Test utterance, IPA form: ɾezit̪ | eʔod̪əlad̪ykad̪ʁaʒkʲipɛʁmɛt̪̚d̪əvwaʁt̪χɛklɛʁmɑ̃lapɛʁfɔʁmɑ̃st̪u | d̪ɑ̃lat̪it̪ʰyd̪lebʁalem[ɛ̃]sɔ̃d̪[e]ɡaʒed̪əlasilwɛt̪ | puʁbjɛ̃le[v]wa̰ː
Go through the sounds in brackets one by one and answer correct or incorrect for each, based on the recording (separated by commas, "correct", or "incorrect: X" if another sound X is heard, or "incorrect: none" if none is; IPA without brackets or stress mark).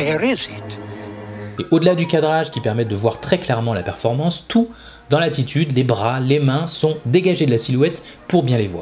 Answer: correct, correct, correct